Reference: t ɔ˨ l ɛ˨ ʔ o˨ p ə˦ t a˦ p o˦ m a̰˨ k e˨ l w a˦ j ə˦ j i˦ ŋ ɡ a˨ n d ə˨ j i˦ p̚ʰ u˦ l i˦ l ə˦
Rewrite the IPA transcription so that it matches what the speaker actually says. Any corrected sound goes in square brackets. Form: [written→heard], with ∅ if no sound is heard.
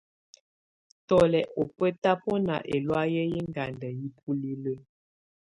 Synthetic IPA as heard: t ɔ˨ l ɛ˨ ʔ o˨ p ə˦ t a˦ p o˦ [m→n] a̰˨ [k→ʔ] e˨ l w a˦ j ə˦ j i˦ ŋ ɡ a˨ n d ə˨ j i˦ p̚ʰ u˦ l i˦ l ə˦